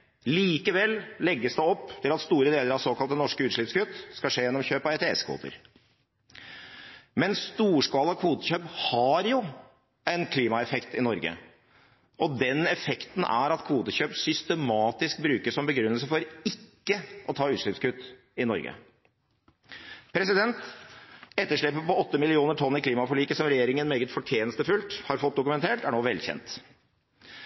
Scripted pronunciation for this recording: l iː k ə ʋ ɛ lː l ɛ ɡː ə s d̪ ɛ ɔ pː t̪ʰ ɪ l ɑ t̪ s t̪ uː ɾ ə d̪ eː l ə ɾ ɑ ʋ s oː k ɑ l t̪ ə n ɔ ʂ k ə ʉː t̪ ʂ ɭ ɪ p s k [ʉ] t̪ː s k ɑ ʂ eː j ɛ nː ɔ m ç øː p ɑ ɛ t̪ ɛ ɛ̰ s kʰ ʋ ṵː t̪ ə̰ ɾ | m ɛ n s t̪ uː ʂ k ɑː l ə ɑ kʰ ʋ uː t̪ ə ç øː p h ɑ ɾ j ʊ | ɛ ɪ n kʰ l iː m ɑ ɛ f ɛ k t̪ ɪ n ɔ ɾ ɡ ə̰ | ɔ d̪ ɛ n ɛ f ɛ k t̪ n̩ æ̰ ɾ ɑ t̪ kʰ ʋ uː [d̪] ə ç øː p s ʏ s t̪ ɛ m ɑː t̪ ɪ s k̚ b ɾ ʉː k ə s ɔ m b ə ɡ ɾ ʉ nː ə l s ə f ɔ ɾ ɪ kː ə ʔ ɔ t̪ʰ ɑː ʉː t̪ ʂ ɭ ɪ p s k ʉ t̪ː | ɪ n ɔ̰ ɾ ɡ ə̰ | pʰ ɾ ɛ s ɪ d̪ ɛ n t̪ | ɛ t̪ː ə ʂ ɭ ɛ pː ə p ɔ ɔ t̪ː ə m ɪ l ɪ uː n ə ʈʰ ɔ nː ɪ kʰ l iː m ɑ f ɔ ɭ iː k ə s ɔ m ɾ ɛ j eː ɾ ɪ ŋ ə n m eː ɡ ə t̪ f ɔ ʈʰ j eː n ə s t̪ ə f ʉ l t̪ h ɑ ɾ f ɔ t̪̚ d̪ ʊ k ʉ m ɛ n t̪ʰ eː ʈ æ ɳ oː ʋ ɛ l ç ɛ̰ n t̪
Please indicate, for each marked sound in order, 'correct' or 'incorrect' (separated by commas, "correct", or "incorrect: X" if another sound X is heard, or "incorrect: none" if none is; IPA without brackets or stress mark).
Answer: correct, incorrect: t̪